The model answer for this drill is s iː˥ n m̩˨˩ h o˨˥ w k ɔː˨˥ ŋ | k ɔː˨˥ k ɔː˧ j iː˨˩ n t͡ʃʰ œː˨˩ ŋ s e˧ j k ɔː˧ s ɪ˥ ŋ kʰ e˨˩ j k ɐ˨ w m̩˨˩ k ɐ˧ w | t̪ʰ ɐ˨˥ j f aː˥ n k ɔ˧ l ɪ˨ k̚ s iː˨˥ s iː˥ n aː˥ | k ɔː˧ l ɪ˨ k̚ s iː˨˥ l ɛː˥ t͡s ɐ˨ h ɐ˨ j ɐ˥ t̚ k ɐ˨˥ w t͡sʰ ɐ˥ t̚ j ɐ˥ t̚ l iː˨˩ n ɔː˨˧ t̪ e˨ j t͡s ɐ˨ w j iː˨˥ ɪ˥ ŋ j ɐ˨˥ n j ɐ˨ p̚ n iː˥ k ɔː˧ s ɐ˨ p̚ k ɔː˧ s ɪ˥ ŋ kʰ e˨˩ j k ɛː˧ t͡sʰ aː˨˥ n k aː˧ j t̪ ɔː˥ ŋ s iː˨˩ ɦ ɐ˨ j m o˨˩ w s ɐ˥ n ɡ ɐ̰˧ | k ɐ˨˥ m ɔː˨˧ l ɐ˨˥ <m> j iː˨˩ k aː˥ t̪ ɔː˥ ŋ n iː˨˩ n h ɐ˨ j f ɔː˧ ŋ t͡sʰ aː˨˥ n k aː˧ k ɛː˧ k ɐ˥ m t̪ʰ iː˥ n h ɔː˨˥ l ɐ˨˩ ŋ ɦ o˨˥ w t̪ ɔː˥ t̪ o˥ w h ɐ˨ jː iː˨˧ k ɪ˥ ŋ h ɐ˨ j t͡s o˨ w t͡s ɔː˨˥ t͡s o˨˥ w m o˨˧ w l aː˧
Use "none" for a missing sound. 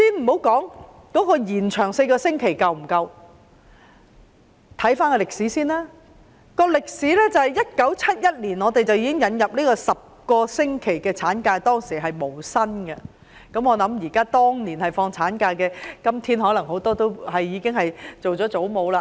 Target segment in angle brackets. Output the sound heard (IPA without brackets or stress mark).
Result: m